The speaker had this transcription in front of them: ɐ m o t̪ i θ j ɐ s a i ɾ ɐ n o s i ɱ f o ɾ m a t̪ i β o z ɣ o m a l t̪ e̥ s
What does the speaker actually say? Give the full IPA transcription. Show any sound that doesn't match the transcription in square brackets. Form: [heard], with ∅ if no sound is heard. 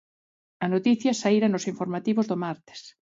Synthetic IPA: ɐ [n] o t̪ i θ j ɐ s a i ɾ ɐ n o s i ɱ f o ɾ m a t̪ i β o z [ð] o m a [ɾ] t̪ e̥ s

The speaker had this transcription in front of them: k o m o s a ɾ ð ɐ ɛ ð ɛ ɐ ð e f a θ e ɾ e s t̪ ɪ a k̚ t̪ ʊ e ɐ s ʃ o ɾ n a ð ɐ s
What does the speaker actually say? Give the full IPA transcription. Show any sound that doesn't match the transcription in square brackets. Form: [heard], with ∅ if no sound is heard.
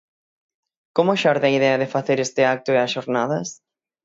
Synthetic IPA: k o m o [ʃ] a ɾ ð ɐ [i] ð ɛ ɐ ð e f a θ e ɾ e s t̪ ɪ a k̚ t̪ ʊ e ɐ s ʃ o ɾ n a ð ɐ s

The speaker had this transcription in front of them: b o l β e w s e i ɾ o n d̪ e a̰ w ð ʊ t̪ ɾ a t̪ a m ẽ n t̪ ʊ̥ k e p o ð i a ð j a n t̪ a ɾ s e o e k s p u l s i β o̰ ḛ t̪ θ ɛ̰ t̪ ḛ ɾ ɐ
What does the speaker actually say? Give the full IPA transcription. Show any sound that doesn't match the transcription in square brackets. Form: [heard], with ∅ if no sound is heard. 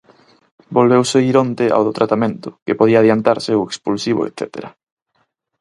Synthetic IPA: b o l β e w s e i ɾ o n [t̪] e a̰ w ð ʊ t̪ ɾ a t̪ a m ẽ n t̪ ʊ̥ k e p o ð i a ð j a n t̪ a ɾ s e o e k s p u l s i β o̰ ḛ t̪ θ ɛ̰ t̪ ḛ ɾ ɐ

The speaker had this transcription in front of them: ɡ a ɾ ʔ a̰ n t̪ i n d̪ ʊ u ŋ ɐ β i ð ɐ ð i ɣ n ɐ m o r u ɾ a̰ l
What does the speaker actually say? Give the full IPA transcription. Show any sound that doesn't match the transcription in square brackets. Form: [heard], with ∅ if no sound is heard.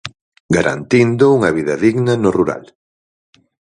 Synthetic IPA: ɡ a ɾ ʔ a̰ n t̪ i n d̪ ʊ u ŋ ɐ β i ð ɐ ð i ɣ n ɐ [n] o r u ɾ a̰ l

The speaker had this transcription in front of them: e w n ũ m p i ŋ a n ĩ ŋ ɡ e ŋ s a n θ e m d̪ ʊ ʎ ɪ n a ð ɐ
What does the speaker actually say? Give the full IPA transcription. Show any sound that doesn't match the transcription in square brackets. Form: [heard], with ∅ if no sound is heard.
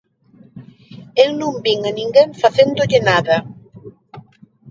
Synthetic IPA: e w n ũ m [b] i ŋ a n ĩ ŋ ɡ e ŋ [f] a [∅] θ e [n] d̪ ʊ ʎ ɪ n a ð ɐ

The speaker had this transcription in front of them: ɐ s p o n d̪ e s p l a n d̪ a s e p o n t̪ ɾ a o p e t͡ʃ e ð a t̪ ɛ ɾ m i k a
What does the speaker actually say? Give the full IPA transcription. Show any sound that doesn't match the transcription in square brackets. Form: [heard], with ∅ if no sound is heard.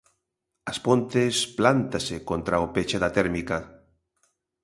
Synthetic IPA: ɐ s p o n [t̪] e s p l a n [t̪] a s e [k] o n t̪ ɾ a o p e t͡ʃ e ð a t̪ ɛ ɾ m i k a

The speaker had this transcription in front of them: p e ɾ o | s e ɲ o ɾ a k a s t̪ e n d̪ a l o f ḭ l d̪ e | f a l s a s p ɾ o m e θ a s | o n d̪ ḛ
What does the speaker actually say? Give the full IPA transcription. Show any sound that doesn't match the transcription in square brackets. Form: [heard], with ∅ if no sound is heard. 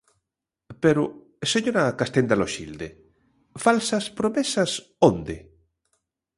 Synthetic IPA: p e ɾ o | s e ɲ o ɾ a k a s t̪ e n d̪ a l o [ʃ] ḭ l d̪ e | f a l s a s p ɾ o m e [s] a s | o n d̪ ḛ

